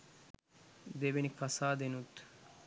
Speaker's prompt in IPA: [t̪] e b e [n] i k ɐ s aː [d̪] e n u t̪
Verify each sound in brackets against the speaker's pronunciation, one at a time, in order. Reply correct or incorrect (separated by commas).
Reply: incorrect, correct, correct